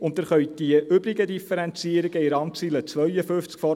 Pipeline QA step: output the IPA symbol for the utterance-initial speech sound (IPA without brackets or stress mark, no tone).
ʊ